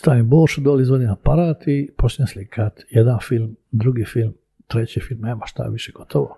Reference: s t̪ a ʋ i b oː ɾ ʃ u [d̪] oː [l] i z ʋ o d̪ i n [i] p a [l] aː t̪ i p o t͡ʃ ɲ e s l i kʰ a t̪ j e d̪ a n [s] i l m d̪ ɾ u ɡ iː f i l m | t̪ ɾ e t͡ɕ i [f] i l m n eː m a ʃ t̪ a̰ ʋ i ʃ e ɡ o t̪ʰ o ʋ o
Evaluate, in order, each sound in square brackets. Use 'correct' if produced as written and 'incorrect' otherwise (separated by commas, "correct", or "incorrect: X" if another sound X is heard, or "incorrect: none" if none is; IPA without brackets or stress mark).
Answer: correct, correct, incorrect: a, incorrect: ɾ, incorrect: f, correct